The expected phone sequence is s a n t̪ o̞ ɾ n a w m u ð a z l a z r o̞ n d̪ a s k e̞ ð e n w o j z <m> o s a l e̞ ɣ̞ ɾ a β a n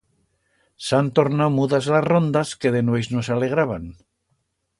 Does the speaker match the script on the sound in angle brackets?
no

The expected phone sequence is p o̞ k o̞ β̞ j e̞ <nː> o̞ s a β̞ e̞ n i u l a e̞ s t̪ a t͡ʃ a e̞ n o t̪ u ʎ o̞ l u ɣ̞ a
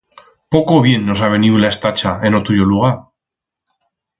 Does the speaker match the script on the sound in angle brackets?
yes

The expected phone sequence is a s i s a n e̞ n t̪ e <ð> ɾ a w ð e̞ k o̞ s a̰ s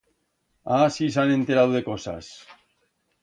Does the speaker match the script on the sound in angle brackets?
no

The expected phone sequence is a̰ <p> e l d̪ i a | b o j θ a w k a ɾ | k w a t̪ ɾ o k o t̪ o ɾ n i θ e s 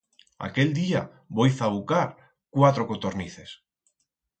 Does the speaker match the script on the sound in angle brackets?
no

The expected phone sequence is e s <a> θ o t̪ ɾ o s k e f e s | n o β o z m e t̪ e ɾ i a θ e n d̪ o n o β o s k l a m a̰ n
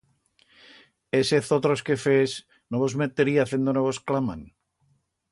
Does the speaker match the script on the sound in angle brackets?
no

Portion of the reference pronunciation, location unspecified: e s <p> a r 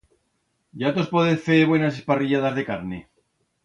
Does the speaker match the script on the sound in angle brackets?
yes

